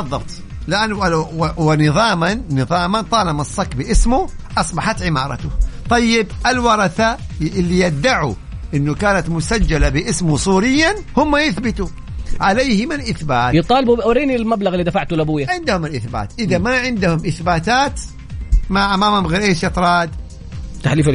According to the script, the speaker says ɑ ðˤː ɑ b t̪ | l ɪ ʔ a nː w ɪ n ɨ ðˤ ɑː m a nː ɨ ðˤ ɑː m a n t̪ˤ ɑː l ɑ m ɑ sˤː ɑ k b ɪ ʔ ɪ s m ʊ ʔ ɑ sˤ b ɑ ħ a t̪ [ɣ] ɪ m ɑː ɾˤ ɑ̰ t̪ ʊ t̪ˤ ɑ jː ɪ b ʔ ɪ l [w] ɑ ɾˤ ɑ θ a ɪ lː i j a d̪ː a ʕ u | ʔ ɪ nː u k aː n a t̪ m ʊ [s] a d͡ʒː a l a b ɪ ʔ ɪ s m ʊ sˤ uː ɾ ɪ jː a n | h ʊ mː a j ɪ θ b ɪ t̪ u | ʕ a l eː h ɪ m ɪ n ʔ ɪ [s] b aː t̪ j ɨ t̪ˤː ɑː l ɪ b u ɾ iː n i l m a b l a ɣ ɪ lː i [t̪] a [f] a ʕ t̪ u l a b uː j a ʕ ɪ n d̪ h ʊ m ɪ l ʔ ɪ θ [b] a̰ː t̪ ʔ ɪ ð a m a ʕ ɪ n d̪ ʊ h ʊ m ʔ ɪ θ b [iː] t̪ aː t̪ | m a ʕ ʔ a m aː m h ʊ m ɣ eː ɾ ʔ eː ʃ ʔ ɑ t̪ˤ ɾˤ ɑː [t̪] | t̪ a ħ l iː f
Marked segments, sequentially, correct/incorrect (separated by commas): incorrect, correct, correct, incorrect, incorrect, correct, correct, incorrect, incorrect